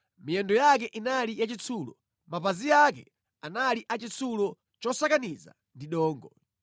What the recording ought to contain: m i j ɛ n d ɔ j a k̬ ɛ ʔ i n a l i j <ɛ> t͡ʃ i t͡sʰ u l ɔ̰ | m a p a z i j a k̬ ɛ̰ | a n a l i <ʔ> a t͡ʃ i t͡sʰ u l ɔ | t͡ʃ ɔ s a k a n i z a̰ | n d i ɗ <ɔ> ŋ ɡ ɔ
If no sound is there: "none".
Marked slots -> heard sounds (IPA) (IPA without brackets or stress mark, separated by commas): a, ʔ, ɔː